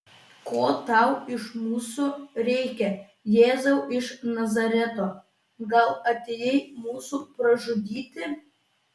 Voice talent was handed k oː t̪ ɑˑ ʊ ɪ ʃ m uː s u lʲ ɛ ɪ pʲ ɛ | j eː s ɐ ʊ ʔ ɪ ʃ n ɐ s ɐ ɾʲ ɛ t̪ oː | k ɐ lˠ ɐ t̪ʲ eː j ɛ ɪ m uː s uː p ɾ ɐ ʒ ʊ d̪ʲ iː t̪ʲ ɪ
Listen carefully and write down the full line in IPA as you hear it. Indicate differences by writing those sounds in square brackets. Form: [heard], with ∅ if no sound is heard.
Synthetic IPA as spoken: k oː t̪ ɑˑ ʊ ɪ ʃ m uː s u [ɾʲ] ɛ ɪ [kʲ] ɛ | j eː [z] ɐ ʊ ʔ ɪ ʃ n ɐ [z] ɐ ɾʲ ɛ t̪ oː | [ɡ] ɐ lˠ ɐ t̪ʲ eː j ɛ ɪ m uː s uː p ɾ ɐ ʒ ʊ d̪ʲ iː t̪ʲ ɪ

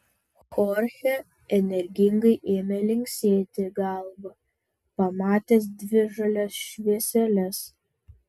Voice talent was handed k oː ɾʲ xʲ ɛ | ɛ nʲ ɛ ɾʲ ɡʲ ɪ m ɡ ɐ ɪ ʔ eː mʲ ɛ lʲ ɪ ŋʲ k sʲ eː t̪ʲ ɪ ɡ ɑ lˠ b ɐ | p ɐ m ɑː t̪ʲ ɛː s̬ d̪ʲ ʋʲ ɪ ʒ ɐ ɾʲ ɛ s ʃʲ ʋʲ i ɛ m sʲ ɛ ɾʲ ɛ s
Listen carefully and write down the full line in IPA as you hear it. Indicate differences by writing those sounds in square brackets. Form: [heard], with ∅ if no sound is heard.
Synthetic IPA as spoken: [x] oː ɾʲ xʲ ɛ | ɛ nʲ ɛ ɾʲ ɡʲ ɪ [ŋ] ɡ ɐ ɪ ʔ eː mʲ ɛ lʲ ɪ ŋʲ k sʲ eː t̪ʲ ɪ ɡ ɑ lˠ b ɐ | p ɐ m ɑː t̪ʲ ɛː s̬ d̪ʲ ʋʲ ɪ ʒ ɐ [lʲ] ɛ s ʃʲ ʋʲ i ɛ [∅] sʲ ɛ [lʲ] ɛ s

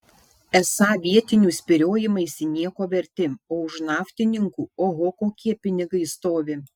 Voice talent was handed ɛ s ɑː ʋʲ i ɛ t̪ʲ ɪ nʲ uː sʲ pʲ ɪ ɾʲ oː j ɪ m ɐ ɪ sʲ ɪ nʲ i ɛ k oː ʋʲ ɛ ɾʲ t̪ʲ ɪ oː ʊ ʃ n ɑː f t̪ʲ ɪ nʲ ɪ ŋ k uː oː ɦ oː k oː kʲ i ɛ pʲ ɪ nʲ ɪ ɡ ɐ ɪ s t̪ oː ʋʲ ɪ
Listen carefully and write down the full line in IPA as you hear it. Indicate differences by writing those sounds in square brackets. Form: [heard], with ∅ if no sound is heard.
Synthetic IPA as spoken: ɛ s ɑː ʋʲ i ɛ t̪ʲ ɪ nʲ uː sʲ pʲ ɪ ɾʲ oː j ɪ m ɐ ɪ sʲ ɪ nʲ i ɛ k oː ʋʲ ɛ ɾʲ t̪ʲ ɪ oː ʊ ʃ n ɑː f t̪ʲ ɪ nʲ ɪ ŋ k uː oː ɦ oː k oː kʲ i ɛ pʲ ɪ nʲ ɪ ɡ ɐ ɪ s t̪ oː ʋʲ ɪ

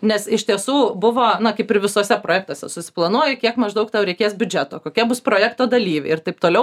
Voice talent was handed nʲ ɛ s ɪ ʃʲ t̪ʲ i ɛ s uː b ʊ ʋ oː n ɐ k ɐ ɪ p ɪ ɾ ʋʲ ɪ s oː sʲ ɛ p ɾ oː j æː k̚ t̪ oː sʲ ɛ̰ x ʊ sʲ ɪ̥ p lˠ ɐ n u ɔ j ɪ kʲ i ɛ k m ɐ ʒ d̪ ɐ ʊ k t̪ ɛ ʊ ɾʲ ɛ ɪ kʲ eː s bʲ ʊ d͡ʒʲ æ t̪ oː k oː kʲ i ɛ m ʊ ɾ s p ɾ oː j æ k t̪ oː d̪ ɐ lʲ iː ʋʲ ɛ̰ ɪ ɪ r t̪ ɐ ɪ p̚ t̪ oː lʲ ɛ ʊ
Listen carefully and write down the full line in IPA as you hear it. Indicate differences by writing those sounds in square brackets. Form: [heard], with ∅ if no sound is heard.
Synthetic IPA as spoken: nʲ ɛ s ɪ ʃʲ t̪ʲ i ɛ s uː b ʊ ʋ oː n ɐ k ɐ ɪ p ɪ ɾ ʋʲ ɪ s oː sʲ ɛ p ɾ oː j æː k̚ t̪ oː sʲ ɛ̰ [s] ʊ sʲ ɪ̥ p lˠ ɐ n u ɔ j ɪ kʲ i ɛ k m ɐ ʒ d̪ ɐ ʊ k t̪ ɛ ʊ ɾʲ ɛ ɪ kʲ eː s bʲ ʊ d͡ʒʲ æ t̪ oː k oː kʲ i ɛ [b] ʊ [∅] s p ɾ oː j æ k t̪ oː d̪ ɐ lʲ iː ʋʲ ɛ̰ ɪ ɪ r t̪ ɐ ɪ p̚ t̪ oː lʲ ɛ ʊ

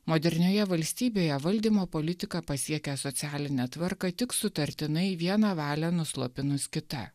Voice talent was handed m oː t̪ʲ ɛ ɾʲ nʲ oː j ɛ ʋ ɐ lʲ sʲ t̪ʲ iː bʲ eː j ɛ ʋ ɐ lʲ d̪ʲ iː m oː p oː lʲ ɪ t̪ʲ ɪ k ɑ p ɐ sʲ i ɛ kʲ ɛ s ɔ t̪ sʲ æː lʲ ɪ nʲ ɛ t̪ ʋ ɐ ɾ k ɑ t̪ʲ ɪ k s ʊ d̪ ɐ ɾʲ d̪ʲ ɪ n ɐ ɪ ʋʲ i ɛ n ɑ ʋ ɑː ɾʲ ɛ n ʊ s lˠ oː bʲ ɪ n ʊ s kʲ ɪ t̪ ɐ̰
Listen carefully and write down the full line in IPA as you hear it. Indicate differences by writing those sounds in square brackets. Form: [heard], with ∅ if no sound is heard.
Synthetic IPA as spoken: m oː [d̪ʲ] ɛ ɾʲ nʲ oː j ɛ ʋ ɐ lʲ sʲ t̪ʲ iː bʲ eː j ɛ ʋ ɐ lʲ d̪ʲ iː m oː p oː lʲ ɪ t̪ʲ ɪ k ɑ p ɐ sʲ i ɛ kʲ ɛ s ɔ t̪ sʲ æː lʲ ɪ nʲ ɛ t̪ ʋ ɐ ɾ k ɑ t̪ʲ ɪ k s ʊ [t̪] ɐ ɾʲ [t̪ʲ] ɪ n ɐ ɪ ʋʲ i ɛ n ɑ ʋ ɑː [lʲ] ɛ n ʊ s lˠ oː [pʲ] ɪ n ʊ s kʲ ɪ t̪ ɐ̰

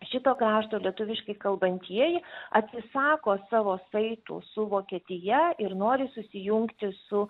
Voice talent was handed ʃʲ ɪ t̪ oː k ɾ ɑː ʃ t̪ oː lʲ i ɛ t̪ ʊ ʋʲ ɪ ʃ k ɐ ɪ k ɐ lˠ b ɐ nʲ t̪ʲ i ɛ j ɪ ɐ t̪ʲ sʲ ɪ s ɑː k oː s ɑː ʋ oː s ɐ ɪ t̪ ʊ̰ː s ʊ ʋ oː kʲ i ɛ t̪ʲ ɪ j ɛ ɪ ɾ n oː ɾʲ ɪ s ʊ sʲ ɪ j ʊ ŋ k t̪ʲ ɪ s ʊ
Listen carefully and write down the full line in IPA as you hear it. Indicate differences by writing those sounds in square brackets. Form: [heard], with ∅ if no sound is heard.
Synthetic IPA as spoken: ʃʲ ɪ t̪ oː k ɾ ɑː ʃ t̪ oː lʲ i ɛ t̪ ʊ ʋʲ ɪ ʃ k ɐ ɪ k ɐ lˠ b ɐ nʲ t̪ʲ i ɛ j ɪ ɐ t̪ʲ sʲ ɪ s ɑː k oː s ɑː ʋ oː s ɐ ɪ t̪ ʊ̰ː s ʊ ʋ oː kʲ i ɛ t̪ʲ ɪ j ɛ ɪ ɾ n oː ɾʲ ɪ s ʊ sʲ ɪ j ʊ ŋ k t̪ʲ ɪ s ʊ

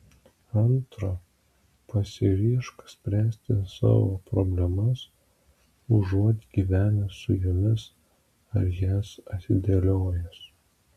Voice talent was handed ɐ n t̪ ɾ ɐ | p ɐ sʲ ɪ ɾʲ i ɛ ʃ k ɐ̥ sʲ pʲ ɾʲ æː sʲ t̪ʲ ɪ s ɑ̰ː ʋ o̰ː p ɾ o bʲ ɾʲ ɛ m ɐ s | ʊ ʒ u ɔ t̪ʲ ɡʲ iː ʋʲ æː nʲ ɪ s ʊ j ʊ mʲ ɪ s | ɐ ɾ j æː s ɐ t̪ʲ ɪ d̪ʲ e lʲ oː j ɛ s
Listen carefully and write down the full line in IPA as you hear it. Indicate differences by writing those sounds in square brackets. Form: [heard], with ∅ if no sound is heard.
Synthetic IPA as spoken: ɐ n t̪ ɾ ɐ | p ɐ sʲ ɪ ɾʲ i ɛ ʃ k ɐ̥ sʲ pʲ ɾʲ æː sʲ t̪ʲ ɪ s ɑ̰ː ʋ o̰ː p ɾ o bʲ [lʲ] ɛ m ɐ s | ʊ ʒ u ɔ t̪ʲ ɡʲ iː ʋʲ æː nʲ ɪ s ʊ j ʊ mʲ ɪ s | ɐ ɾ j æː s ɐ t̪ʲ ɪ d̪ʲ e lʲ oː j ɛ s

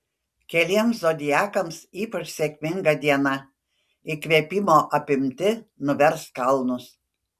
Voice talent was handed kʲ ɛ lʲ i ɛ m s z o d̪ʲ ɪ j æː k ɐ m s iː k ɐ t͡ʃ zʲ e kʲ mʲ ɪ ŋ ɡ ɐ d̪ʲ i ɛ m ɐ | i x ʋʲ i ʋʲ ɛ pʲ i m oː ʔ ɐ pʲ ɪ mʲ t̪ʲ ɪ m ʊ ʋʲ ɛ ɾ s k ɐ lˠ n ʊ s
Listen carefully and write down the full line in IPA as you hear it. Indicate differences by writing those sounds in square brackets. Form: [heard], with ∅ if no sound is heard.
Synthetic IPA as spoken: kʲ ɛ lʲ i ɛ m s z o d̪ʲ ɪ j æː k ɐ m s iː [p] ɐ t͡ʃ [sʲ] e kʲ mʲ ɪ ŋ ɡ ɐ d̪ʲ i ɛ [n] ɐ | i [k] ʋʲ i [∅] ɛ pʲ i m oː ʔ ɐ pʲ ɪ mʲ t̪ʲ ɪ [n] ʊ ʋʲ ɛ ɾ s k ɐ lˠ n ʊ s

